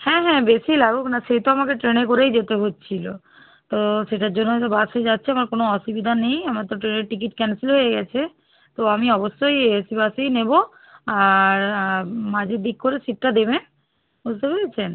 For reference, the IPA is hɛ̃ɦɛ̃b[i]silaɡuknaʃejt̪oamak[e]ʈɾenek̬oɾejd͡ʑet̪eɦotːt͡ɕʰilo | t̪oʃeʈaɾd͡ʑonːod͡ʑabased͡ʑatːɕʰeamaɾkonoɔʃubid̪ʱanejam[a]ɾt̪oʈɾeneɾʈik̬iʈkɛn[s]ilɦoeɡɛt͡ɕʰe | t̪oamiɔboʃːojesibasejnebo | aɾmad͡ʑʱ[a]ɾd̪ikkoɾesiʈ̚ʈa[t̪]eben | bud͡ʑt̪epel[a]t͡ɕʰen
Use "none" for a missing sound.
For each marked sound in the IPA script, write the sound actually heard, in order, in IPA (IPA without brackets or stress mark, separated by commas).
e, e, a, s, e, d̪, e